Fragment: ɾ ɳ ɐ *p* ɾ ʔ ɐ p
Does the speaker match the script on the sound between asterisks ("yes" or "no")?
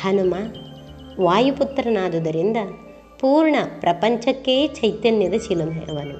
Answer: yes